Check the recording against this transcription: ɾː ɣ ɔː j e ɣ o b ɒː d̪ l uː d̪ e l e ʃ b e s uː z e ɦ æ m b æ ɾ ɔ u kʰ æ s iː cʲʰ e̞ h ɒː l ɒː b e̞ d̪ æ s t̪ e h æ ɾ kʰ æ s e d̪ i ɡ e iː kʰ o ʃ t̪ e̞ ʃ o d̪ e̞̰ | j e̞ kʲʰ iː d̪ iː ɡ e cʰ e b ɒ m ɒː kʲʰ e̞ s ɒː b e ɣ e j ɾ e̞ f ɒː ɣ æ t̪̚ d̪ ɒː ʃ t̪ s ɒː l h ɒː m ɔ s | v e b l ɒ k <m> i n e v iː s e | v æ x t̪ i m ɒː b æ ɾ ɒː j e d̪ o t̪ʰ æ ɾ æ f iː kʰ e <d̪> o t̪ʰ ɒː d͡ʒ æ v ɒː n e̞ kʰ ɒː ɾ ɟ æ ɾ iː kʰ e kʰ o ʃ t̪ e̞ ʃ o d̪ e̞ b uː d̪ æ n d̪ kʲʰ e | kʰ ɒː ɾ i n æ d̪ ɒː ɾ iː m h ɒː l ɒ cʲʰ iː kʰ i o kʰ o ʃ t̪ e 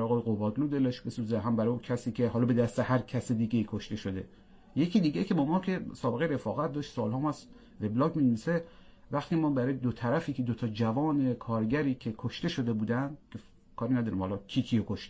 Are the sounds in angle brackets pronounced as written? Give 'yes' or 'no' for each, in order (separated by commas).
yes, yes